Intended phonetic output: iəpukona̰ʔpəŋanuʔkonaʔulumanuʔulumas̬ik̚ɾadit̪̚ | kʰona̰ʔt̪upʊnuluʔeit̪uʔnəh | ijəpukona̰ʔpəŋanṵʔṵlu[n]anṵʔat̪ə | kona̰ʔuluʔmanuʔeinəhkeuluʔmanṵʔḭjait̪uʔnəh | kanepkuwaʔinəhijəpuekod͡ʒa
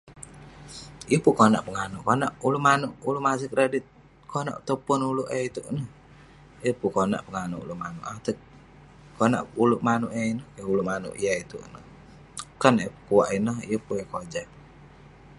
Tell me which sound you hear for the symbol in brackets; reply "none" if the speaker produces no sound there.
m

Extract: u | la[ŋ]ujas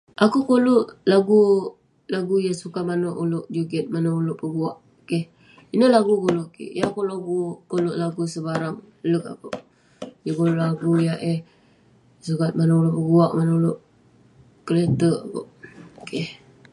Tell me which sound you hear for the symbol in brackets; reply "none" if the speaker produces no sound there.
ɡ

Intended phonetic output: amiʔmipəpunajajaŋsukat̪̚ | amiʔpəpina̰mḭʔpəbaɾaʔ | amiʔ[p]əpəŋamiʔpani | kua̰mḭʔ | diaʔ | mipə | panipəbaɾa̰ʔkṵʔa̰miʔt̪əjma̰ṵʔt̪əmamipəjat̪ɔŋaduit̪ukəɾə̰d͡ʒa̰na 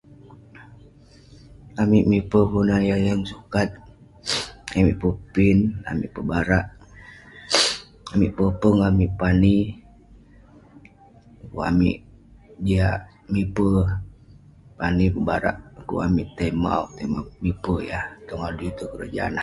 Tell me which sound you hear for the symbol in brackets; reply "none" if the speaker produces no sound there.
p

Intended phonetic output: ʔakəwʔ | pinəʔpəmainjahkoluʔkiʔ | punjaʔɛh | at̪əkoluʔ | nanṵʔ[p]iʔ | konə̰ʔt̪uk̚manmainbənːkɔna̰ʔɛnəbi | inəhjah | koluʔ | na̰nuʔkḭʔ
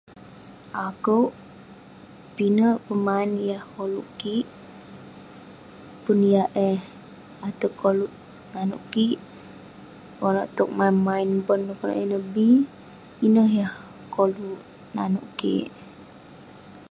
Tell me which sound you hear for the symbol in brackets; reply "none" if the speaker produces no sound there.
k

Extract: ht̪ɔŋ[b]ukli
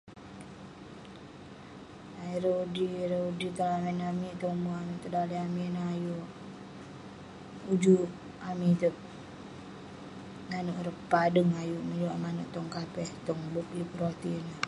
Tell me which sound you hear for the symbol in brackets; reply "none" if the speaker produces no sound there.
b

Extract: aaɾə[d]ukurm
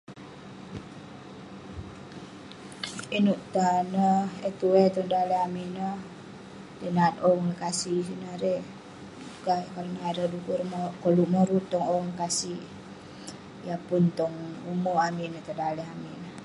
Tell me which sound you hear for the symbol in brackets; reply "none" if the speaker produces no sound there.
d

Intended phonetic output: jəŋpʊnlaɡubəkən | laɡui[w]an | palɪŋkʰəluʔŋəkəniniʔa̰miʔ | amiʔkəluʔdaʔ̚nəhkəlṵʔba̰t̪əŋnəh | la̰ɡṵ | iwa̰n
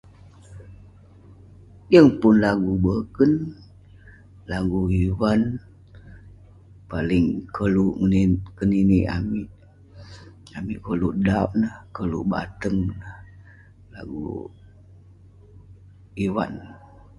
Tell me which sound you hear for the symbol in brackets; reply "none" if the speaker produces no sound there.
w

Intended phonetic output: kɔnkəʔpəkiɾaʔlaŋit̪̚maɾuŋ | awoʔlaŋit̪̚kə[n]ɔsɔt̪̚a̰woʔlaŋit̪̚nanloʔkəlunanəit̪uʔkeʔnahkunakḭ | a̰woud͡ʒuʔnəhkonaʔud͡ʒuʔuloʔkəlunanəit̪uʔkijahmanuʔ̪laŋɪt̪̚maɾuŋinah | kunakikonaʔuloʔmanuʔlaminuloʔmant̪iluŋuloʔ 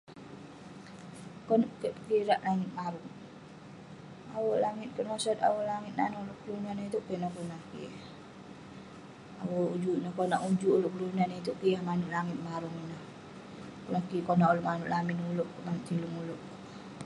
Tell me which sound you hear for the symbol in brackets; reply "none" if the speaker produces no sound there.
n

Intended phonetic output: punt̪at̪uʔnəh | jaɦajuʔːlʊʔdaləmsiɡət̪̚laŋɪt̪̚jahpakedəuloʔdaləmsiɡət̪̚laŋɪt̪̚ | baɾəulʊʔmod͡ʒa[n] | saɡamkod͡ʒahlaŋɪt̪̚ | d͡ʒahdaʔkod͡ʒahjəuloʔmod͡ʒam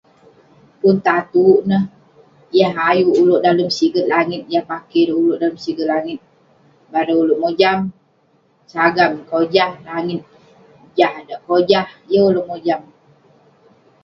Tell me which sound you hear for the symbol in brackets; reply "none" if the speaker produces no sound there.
m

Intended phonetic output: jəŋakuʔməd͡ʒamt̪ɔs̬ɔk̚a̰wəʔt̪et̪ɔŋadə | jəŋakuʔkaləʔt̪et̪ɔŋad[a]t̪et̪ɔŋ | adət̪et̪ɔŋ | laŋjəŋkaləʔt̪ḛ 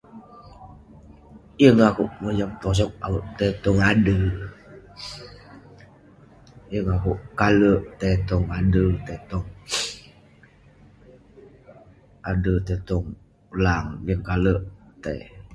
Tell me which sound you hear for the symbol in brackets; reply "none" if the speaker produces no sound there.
ə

